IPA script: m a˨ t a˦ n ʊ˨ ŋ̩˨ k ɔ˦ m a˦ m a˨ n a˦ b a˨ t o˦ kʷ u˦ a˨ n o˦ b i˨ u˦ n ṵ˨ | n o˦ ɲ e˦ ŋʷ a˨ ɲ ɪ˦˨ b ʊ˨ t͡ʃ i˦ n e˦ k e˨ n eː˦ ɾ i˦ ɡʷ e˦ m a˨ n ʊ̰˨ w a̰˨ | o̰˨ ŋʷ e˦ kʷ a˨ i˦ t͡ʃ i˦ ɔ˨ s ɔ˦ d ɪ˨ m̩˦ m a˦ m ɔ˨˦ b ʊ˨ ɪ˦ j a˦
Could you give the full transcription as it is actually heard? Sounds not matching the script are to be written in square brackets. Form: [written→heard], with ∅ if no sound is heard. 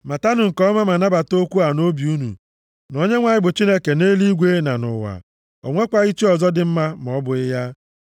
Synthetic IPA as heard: m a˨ t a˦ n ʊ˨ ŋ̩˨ k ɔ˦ m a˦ m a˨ n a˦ b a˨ t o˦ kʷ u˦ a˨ n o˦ b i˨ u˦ n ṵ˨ | n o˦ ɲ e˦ ŋʷ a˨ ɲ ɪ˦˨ b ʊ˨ t͡ʃ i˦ n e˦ k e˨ n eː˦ [ɾ→l] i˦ ɡʷ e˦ [m→n] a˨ n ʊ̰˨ w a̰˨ | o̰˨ ŋʷ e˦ kʷ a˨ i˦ t͡ʃ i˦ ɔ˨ [s→z] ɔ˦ d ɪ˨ m̩˦ m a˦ m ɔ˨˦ b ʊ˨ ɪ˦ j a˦

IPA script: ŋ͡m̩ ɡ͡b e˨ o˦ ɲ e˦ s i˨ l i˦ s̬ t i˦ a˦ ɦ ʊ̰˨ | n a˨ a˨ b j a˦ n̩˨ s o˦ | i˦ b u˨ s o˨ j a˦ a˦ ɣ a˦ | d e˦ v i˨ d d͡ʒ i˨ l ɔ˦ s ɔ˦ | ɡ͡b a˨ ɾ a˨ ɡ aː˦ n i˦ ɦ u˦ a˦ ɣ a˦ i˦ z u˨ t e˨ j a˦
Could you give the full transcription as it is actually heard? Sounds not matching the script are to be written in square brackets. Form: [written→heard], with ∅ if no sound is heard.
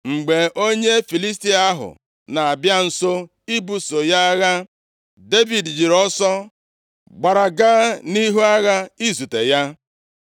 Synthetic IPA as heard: ŋ͡m̩ ɡ͡b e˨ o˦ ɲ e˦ [s→f] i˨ l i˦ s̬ t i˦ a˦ ɦ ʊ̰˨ | n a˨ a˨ b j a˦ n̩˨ s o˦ | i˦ b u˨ s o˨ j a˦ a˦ ɣ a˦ | d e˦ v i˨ d d͡ʒ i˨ [l→ɾ] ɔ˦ s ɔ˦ | ɡ͡b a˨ ɾ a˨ ɡ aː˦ n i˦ ɦ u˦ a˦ ɣ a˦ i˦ z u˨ t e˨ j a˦

